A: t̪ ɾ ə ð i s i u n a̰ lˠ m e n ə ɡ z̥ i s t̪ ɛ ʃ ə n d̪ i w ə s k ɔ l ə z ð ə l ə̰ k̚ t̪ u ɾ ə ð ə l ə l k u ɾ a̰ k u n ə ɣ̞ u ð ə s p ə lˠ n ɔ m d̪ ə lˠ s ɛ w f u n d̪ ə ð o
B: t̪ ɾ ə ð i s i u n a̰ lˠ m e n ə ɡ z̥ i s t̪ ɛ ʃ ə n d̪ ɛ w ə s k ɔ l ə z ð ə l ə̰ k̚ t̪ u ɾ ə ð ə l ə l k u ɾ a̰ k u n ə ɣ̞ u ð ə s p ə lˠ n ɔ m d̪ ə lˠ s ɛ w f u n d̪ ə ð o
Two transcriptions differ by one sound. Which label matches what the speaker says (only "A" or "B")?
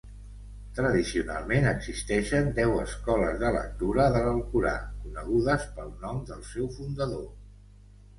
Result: B